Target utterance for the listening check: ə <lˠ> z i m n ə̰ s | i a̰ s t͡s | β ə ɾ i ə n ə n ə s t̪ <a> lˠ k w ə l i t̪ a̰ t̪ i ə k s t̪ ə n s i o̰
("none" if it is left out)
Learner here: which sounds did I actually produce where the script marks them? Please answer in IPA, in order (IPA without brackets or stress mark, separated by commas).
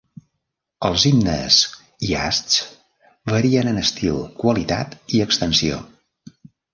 lˠ, i